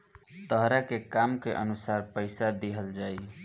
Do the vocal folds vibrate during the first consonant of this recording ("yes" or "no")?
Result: no